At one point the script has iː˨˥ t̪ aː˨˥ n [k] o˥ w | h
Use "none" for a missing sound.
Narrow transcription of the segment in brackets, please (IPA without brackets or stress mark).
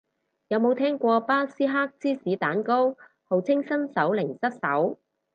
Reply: k